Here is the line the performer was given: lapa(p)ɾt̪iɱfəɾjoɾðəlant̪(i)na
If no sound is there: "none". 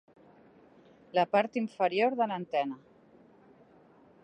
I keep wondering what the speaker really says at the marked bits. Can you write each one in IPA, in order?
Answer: none, ɛ

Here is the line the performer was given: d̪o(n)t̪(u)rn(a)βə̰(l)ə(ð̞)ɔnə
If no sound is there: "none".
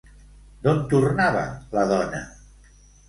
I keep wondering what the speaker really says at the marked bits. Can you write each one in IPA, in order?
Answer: n, u, a, l, ð̞

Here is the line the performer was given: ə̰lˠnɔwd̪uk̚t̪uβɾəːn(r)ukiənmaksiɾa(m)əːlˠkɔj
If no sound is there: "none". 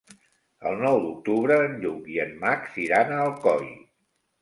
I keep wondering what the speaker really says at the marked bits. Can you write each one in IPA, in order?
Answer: ʎ, n

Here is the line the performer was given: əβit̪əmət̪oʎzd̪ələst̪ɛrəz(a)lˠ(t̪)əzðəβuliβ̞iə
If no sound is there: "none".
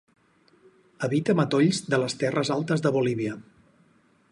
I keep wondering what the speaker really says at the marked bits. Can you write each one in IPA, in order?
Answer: a, t̪

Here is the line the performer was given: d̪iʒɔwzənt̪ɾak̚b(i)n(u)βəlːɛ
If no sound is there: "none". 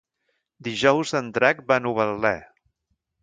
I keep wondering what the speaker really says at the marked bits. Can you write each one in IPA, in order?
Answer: a, u

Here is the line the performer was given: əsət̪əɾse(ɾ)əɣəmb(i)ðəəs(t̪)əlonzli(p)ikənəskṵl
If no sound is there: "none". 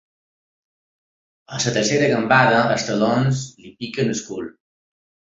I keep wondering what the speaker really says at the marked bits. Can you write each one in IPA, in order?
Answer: ɾ, a, t̪, p

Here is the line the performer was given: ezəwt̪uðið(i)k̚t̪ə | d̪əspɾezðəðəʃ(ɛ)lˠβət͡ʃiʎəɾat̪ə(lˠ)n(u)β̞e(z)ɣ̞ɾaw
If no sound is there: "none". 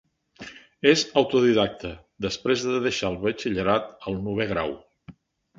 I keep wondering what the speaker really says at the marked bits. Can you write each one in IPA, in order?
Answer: a, a, lˠ, u, none

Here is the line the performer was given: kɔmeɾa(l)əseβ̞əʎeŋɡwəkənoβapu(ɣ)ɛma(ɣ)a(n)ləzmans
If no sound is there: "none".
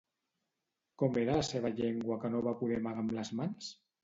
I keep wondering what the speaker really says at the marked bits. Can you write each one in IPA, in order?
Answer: l, ð, ɣ, m

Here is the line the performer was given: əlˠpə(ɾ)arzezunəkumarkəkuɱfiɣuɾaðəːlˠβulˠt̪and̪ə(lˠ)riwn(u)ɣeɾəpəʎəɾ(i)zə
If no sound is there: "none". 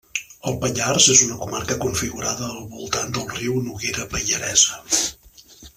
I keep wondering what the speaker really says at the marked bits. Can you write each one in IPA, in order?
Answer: ʎ, lˠ, u, ɛ

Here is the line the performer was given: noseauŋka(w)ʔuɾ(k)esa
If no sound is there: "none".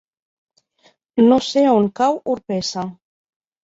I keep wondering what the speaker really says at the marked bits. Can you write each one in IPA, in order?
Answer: w, p

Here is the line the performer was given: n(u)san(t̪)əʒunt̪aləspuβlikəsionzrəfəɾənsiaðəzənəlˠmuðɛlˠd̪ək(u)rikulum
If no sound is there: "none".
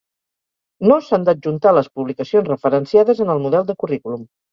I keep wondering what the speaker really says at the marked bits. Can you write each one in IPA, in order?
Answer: o, d̪, u

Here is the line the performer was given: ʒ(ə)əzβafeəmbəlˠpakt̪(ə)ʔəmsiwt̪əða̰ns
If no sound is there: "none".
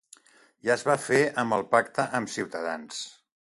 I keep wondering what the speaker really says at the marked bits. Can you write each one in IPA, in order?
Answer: a, ə

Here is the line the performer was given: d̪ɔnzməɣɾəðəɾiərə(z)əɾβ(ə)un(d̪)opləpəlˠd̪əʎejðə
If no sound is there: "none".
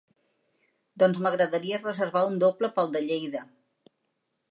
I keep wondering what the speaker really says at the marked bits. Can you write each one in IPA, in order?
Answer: z, a, d̪

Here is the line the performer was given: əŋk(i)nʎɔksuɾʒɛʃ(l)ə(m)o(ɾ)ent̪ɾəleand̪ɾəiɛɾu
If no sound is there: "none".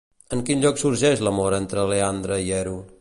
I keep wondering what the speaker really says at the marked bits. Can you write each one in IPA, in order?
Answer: i, l, m, ɾ

